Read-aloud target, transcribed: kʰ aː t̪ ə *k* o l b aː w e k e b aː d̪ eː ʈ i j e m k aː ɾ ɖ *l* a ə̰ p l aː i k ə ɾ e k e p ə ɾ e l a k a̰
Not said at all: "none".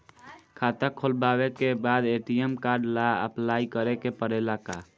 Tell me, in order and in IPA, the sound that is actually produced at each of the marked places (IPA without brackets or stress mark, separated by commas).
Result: kʰ, l